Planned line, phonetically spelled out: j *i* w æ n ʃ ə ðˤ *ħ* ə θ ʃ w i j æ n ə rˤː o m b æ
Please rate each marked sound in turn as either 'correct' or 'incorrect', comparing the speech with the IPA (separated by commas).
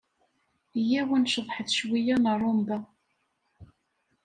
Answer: incorrect, correct